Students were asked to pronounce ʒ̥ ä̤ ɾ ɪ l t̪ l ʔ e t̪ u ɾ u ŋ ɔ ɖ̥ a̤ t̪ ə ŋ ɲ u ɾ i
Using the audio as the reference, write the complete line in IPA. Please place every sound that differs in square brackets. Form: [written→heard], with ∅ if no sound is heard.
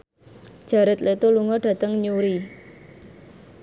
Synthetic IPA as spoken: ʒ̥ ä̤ ɾ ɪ [l→∅] t̪ l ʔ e t̪ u [ɾ→l] u ŋ ɔ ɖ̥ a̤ t̪ ə ŋ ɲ u ɾ i